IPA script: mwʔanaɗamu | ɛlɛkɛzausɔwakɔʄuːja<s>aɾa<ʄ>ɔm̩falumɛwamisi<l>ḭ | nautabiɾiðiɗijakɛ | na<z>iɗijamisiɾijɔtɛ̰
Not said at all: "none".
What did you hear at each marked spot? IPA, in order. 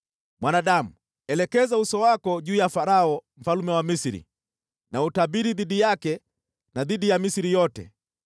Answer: f, none, ɾ, ð

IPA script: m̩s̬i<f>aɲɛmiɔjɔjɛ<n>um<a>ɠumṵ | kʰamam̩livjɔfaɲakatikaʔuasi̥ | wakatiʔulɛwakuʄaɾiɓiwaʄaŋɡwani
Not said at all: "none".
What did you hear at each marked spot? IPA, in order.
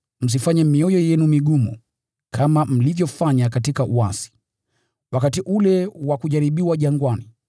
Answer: f, n, i

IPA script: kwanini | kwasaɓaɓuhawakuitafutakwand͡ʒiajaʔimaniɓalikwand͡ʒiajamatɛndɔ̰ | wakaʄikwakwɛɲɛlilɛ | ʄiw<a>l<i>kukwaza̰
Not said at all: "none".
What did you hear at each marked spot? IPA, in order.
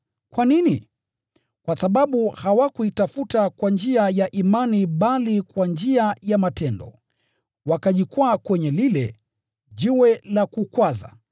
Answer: ɛ, a

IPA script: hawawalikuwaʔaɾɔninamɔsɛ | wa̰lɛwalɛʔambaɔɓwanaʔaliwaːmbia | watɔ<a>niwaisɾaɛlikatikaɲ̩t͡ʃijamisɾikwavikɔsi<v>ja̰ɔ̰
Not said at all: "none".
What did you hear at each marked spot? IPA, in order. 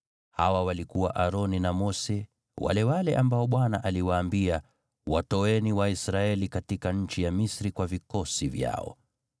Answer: ɛ, v

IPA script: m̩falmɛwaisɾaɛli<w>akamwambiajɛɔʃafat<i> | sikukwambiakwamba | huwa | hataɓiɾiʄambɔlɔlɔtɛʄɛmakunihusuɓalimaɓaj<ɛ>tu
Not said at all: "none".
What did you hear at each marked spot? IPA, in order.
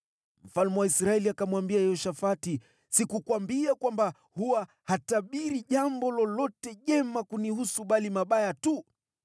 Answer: none, i, a

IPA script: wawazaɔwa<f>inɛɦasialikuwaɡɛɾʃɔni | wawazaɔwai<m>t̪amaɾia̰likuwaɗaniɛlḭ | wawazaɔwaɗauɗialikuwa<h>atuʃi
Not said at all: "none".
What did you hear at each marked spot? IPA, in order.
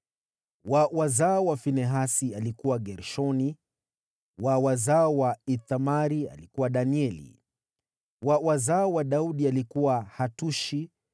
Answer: f, none, h

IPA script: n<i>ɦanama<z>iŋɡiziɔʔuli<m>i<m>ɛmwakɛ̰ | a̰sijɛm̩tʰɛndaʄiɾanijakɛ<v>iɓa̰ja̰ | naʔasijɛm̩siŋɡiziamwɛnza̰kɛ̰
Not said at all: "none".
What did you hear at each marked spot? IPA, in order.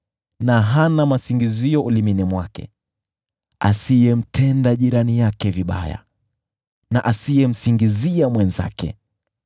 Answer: a, s, m, n, v

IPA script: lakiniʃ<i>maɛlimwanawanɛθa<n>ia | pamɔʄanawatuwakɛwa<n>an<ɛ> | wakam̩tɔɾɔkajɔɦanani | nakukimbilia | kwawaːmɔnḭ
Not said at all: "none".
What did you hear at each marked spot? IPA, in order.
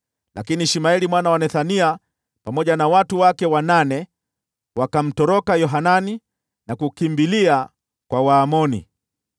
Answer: i, n, n, ɛ

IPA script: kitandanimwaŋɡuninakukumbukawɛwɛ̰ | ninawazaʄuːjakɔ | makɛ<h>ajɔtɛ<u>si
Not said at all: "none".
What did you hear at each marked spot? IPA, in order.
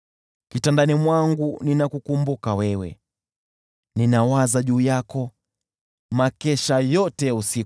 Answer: ʃ, u

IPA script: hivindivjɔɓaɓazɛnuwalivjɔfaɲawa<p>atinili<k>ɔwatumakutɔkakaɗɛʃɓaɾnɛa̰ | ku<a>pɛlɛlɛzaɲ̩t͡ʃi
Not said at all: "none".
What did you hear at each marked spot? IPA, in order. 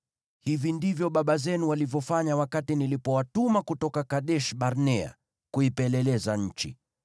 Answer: k, p, i

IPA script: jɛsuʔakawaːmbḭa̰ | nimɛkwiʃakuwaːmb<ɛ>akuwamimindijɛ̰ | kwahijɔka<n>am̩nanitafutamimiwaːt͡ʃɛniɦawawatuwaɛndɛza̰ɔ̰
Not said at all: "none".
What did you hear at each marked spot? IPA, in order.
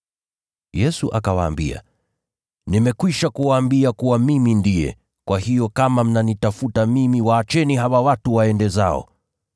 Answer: i, m

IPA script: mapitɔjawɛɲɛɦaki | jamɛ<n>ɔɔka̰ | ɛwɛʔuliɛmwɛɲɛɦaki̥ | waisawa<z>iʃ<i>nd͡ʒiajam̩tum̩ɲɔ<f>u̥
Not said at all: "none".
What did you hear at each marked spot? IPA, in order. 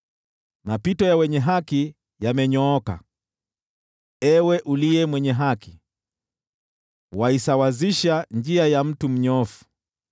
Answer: ɲ, z, a, f

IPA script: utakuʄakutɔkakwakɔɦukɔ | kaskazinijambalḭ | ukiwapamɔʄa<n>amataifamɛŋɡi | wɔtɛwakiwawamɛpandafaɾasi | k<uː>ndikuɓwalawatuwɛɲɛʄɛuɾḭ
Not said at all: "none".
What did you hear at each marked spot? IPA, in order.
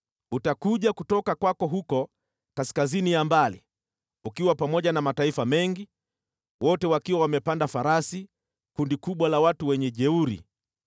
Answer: n, u

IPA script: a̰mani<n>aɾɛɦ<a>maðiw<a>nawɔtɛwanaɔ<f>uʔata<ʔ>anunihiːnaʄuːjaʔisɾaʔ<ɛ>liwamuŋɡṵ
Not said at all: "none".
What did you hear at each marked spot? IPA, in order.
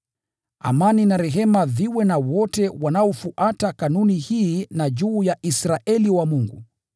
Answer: n, ɛ, ɛ, f, k, ɛ

